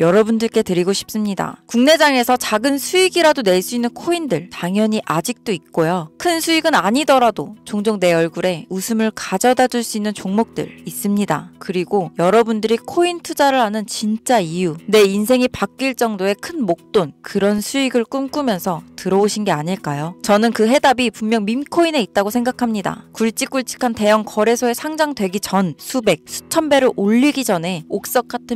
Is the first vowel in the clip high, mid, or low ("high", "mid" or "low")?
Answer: mid